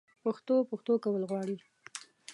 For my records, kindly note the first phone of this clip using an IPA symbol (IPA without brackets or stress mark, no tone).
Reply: p